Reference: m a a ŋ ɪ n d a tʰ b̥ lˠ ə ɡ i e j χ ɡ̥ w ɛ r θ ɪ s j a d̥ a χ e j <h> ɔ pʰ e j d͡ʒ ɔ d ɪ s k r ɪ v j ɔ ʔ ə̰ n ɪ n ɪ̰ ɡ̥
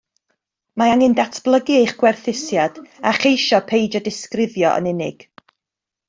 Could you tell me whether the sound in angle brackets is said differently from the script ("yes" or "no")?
yes